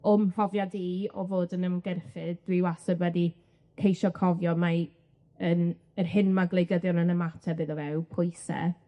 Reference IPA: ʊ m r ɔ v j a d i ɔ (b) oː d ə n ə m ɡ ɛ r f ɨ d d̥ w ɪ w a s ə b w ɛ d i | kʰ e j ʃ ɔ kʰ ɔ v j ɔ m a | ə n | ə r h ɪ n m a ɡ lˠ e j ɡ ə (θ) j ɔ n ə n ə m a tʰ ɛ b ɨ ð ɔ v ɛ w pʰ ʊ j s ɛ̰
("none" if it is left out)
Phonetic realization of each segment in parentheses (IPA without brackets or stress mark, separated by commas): v, ð